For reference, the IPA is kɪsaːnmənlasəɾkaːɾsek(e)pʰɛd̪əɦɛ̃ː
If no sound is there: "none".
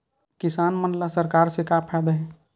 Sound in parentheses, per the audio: a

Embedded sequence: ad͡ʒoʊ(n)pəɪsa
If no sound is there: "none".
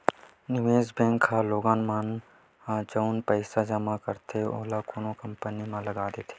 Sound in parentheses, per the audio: n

